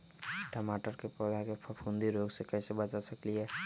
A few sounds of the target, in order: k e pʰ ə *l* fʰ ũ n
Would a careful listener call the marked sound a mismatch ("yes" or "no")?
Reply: yes